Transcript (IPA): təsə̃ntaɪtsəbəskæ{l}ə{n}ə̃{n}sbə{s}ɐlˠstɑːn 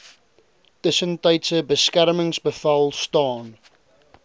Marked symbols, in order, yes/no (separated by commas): no, no, no, no